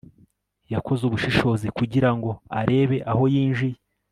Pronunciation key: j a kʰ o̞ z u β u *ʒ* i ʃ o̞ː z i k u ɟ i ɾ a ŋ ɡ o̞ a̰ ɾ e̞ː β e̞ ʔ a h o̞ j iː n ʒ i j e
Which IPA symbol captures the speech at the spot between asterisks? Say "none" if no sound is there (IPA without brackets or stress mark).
ʃ